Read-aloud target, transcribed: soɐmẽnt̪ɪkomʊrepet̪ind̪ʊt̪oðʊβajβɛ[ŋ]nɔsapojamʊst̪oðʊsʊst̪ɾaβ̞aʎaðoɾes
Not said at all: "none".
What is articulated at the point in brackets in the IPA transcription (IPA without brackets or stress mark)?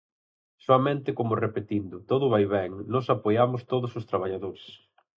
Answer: ŋ